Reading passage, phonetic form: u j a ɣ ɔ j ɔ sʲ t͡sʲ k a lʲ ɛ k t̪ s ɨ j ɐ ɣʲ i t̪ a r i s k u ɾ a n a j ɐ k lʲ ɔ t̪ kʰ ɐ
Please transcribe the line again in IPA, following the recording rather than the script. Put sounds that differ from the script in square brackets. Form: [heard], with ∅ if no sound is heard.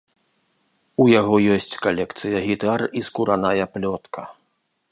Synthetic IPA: u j a ɣ ɔ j ɔ sʲ t͡sʲ k a lʲ ɛ k t̪ s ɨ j ɐ ɣʲ i t̪ a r i s k u ɾ a n a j ɐ [p] lʲ ɔ t̪ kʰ ɐ